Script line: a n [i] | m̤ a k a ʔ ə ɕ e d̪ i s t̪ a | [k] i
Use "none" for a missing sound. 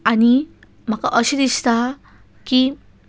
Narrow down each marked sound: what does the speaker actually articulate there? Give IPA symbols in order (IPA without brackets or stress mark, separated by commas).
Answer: i, k